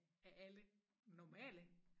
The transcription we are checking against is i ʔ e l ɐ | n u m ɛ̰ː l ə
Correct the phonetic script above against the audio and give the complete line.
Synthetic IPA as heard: æ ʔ æ l ə | n ɒ m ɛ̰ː l ə